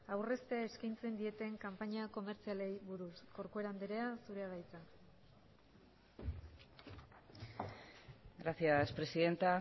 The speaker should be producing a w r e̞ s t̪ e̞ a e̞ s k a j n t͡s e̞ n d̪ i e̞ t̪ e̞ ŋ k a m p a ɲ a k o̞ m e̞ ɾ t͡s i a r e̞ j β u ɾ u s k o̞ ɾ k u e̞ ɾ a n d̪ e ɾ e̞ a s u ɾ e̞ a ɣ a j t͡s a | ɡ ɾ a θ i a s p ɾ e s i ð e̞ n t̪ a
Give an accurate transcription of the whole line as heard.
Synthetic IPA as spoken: a w r e̞ s t̪ e̞ a e̞ s k a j n t͡s e̞ n d̪ i e̞ t̪ e̞ ŋ k a m p a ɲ a k o̞ m e̞ ɾ t͡s i a l e̞ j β u ɾ u s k o̞ ɾ k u e̞ ɾ a n d̪ e ɾ e̞ a s u ɾ e̞ a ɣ a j t͡s a | ɡ ɾ a θ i a s p ɾ e s i ð e̞ n t̪ a